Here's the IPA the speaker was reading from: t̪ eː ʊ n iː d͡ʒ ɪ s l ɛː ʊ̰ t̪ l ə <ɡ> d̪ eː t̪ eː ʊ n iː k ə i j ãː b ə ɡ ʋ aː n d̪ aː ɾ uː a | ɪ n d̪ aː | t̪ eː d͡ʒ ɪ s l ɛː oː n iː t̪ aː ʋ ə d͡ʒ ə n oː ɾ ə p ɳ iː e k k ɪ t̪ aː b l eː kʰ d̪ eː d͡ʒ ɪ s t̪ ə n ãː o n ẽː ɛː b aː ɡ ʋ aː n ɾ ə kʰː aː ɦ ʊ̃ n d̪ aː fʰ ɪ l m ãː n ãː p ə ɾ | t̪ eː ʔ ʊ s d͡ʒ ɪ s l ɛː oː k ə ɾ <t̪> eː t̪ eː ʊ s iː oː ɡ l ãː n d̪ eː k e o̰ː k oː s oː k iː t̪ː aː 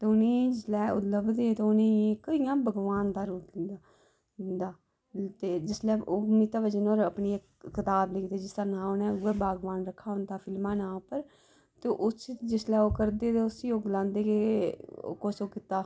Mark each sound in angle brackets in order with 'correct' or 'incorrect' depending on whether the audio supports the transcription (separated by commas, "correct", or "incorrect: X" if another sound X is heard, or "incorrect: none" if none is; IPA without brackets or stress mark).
incorrect: b, incorrect: d̪